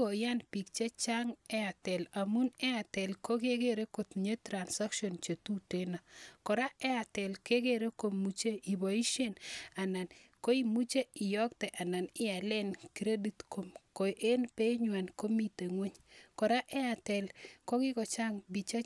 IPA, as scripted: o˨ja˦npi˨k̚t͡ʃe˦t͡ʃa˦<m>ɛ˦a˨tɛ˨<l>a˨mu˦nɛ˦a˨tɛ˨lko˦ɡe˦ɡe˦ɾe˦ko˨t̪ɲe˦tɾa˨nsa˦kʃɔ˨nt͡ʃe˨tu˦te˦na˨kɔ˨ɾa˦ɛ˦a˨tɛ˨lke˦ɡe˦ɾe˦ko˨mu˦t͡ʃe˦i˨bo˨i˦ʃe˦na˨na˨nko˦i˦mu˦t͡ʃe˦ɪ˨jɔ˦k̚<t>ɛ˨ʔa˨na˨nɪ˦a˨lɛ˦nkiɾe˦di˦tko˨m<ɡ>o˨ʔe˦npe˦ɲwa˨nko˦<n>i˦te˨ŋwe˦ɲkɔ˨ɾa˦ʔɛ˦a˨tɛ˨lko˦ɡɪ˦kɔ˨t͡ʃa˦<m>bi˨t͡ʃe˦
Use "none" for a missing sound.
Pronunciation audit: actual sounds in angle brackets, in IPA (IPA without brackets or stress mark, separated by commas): ŋ, l, t, k, m, ŋ